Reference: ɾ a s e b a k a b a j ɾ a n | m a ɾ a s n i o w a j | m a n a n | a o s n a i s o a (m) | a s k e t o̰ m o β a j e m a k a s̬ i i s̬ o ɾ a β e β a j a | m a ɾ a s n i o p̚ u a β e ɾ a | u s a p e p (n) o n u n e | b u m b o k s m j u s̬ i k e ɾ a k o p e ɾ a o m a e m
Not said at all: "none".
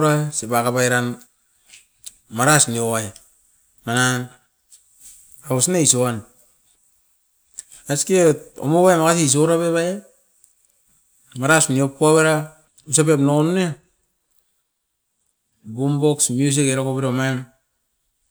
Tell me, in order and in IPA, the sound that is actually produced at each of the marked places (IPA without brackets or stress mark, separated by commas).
n, n